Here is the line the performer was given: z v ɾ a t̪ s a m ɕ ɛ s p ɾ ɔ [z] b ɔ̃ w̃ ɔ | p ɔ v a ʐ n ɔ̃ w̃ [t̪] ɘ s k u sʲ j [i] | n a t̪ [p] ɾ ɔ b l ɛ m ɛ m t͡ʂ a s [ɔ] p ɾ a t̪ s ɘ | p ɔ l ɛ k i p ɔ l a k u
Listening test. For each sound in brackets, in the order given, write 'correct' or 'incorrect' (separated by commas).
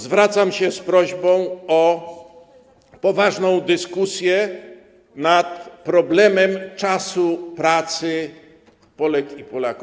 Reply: incorrect, incorrect, incorrect, correct, incorrect